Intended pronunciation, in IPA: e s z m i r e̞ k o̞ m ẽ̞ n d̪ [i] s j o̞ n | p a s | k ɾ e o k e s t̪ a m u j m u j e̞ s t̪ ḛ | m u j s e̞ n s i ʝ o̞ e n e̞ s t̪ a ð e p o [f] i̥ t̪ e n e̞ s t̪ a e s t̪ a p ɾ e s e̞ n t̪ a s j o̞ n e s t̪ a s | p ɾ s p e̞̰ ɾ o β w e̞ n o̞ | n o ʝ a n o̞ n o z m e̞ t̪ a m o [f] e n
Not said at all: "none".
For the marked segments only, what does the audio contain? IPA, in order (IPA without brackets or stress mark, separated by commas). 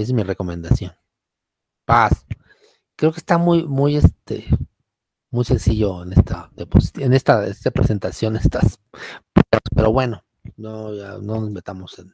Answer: a, s, s